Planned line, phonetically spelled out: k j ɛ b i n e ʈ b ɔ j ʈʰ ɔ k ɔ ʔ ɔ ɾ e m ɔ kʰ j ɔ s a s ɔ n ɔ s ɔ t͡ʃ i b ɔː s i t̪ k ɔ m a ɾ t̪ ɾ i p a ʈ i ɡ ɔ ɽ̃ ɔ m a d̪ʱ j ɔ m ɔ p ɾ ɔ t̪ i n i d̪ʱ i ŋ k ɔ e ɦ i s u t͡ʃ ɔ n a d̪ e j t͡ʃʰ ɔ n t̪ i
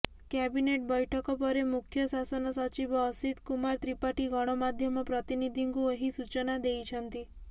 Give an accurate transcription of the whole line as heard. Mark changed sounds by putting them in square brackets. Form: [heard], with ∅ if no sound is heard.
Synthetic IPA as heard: k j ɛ b i n e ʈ b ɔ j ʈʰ ɔ k ɔ [p] ɔ ɾ e m [u] kʰ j ɔ s a s ɔ n ɔ s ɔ t͡ʃ i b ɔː s i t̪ k [u] m a ɾ t̪ ɾ i p a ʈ i ɡ ɔ ɽ̃ ɔ m a d̪ʱ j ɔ m ɔ p ɾ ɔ t̪ i n i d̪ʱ i ŋ k [u] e ɦ i s u t͡ʃ ɔ n a d̪ e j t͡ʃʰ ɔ n t̪ i